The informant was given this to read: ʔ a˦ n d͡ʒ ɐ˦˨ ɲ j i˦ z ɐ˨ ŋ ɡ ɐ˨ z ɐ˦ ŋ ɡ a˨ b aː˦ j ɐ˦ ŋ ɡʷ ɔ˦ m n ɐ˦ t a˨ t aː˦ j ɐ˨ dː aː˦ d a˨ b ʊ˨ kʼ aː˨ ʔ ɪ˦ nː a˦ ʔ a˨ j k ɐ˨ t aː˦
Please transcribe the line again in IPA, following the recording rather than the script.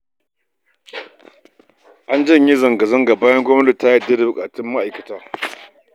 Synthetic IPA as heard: ʔ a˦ n d͡ʒ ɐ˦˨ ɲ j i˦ z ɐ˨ ŋ ɡ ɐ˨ z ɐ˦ ŋ ɡ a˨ b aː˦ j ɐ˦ ŋ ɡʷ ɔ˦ m n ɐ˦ t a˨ t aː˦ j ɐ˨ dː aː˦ d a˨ b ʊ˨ kʼ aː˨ t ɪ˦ mː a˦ ʔ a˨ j k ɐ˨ t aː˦